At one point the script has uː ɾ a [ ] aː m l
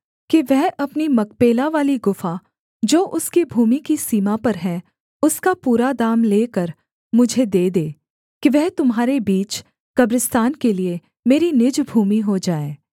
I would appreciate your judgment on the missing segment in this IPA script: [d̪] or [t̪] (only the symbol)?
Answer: d̪